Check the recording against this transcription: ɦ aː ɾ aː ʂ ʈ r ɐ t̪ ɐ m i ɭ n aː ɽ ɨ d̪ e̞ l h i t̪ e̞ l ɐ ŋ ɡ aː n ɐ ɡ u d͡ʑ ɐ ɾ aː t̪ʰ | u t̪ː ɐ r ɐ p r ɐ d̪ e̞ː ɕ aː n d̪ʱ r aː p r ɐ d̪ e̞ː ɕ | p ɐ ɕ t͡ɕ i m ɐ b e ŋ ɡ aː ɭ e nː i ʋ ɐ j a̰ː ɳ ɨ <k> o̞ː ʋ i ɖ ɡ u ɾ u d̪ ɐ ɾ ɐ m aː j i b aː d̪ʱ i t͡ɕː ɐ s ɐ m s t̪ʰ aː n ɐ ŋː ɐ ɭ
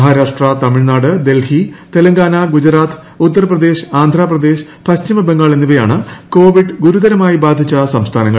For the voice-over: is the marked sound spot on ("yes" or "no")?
yes